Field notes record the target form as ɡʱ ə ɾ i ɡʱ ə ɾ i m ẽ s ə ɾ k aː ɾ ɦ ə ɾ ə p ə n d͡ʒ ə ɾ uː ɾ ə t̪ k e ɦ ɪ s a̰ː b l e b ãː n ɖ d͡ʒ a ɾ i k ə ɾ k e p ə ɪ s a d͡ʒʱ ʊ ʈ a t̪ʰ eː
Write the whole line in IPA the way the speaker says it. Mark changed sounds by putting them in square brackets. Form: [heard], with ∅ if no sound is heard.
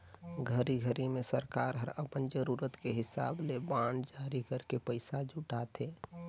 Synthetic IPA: ɡʱ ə ɾ i ɡʱ ə ɾ i m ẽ s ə ɾ k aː ɾ ɦ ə ɾ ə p ə n d͡ʒ ə ɾ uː ɾ ə t̪ k e ɦ ɪ s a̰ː b l e b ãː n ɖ d͡ʒ a ɾ i k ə ɾ k e p ə ɪ s a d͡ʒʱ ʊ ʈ a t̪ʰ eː